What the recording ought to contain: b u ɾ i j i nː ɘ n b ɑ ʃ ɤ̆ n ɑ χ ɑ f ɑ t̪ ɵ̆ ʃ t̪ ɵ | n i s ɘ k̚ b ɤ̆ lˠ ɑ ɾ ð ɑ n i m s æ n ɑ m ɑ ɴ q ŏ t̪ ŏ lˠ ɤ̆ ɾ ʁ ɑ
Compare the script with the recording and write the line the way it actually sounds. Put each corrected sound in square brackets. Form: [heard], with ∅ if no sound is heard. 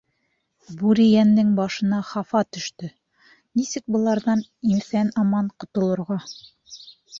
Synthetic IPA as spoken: b u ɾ i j [æ] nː ɘ [ŋ] b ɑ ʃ ɤ̆ n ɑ χ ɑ f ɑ t̪ ɵ̆ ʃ t̪ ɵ | n i s ɘ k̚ b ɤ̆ lˠ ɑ ɾ ð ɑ n i m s æ n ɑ m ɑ ɴ q ŏ t̪ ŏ lˠ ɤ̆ ɾ ʁ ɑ